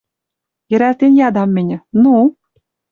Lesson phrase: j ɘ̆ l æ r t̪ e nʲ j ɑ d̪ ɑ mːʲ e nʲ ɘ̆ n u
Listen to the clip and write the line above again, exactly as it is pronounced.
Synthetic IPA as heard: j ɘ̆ ɾ æ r t̪ e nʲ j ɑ d̪ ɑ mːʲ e nʲ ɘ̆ n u